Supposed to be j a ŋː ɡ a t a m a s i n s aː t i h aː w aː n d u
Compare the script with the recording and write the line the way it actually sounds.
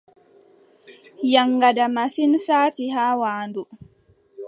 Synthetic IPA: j a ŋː ɡ a d a m a s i n s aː t i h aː w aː n d u